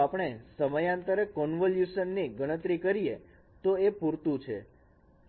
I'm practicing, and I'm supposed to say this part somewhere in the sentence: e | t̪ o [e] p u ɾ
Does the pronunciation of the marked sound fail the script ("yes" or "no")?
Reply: no